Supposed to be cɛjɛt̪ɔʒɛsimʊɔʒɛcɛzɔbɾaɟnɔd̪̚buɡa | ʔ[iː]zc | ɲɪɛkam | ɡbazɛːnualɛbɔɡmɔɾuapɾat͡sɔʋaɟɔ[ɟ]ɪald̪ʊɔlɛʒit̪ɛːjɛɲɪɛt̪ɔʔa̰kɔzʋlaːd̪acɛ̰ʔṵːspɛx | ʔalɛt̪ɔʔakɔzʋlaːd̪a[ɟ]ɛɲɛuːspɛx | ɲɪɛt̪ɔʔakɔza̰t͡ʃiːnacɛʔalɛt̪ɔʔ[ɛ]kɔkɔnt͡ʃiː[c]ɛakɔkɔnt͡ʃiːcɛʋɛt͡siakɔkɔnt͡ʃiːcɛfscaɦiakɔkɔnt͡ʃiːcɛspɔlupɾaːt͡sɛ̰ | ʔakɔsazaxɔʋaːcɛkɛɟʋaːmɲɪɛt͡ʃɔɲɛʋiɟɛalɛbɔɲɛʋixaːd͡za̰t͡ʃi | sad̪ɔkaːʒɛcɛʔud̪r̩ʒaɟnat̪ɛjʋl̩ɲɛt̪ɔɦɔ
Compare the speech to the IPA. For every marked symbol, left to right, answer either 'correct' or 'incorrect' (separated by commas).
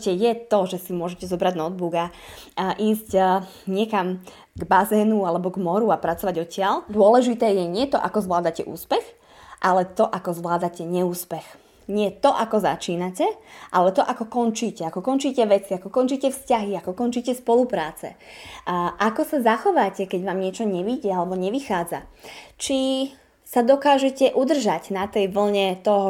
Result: correct, incorrect, incorrect, incorrect, correct